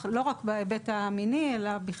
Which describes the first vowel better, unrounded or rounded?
rounded